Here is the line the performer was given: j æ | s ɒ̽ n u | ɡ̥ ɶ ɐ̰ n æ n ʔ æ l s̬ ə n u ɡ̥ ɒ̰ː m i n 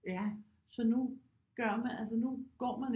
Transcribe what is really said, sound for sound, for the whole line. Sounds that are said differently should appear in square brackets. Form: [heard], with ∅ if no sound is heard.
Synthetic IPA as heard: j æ | s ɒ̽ n u | ɡ̥ ɶ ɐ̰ [m] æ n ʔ æ l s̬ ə n u ɡ̥ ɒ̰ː m [æ] n